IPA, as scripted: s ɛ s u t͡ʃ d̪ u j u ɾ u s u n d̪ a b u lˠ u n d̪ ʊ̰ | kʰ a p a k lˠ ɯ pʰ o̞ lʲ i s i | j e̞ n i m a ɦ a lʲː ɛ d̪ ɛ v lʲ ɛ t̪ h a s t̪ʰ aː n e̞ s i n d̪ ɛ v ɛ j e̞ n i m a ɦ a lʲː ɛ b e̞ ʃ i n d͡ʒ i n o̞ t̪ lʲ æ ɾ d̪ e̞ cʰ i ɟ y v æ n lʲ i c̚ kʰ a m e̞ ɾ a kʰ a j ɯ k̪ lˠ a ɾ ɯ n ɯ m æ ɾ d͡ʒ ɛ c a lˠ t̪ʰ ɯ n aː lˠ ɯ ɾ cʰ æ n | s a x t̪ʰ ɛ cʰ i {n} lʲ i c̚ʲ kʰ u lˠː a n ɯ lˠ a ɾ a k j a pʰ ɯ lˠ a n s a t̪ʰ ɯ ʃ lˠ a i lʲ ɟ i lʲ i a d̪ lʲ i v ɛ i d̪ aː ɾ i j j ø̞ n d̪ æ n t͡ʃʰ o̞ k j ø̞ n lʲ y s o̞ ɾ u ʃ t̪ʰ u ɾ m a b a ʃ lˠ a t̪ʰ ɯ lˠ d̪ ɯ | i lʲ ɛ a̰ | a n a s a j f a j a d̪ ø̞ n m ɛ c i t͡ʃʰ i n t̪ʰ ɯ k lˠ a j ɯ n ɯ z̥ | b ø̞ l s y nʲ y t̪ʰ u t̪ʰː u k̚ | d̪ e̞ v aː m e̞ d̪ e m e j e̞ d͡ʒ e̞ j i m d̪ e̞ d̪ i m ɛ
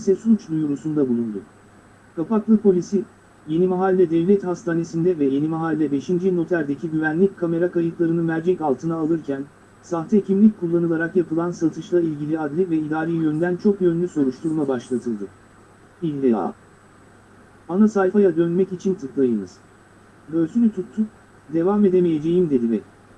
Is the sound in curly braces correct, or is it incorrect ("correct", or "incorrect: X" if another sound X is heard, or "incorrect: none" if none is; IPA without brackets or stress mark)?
incorrect: m